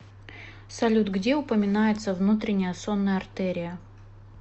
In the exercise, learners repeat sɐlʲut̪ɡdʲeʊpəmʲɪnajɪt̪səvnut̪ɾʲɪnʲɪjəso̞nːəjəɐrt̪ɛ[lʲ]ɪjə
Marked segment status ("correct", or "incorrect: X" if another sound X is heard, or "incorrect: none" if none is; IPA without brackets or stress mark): incorrect: ɾʲ